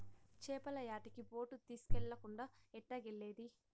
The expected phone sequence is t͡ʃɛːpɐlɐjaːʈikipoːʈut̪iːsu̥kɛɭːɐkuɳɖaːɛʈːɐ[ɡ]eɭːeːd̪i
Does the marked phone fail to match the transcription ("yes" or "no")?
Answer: no